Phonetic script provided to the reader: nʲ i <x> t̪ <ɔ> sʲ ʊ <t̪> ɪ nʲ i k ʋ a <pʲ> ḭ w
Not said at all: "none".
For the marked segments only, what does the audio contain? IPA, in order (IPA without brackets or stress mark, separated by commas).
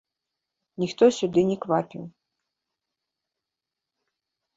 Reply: x, ɔ, d̪, pʲ